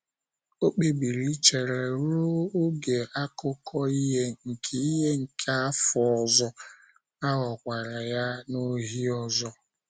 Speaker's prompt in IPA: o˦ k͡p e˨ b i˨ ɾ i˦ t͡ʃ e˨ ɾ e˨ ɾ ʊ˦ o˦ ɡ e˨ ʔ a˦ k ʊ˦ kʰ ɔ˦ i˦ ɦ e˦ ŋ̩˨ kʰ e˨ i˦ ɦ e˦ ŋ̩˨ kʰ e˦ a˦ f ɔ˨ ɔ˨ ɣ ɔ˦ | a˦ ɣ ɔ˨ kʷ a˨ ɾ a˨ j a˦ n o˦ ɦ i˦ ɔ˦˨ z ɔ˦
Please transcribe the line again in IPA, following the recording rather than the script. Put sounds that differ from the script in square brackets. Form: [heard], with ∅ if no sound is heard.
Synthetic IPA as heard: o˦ k͡p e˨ b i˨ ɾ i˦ t͡ʃ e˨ ɾ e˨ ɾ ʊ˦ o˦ ɡ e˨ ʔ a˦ k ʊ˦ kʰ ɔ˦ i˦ ɦ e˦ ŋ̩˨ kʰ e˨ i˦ ɦ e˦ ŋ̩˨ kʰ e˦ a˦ f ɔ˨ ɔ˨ [z] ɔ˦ | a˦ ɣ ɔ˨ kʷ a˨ ɾ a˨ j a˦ n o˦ ɦ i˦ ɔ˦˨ z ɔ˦